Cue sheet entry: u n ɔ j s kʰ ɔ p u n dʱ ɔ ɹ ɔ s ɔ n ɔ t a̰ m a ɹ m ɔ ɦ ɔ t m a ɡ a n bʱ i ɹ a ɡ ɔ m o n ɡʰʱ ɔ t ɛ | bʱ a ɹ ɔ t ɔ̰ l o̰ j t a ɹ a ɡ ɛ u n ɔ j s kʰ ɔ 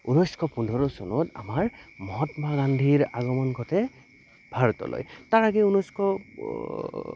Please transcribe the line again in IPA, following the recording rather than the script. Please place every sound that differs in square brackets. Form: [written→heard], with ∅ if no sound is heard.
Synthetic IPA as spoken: u n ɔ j s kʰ ɔ p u n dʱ ɔ ɹ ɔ s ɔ n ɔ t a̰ m a ɹ m ɔ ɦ ɔ t m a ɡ a n [bʱ→dʱ] i ɹ a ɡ ɔ m [o→ɔ] n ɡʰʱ ɔ t ɛ | bʱ a ɹ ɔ t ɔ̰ l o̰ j t a ɹ a ɡ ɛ u n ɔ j s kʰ ɔ